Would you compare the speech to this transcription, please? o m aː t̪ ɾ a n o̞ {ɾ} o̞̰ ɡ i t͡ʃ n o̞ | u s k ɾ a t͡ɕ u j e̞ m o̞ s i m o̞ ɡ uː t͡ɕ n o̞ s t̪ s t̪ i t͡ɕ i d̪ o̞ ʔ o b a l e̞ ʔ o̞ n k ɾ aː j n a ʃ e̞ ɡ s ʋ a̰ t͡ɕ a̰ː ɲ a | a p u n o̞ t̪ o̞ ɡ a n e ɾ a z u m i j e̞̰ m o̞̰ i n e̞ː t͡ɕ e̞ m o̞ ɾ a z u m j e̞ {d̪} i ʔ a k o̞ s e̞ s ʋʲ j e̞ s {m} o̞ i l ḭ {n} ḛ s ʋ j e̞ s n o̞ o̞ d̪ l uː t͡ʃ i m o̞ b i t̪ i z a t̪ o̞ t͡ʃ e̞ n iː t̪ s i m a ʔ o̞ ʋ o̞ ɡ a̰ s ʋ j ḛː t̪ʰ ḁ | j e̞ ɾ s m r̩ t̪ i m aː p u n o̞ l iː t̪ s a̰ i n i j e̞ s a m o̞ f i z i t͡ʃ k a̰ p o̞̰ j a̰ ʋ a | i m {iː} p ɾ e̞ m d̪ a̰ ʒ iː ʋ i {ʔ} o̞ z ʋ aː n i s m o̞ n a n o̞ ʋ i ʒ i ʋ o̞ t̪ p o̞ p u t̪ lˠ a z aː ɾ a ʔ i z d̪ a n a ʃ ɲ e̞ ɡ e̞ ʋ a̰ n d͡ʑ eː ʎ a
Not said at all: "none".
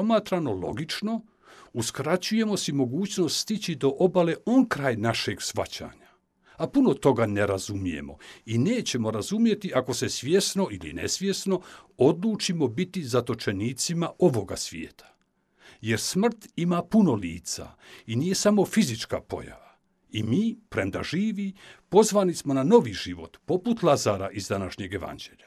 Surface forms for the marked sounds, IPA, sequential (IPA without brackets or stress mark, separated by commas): l, t̪, n, n, iː, p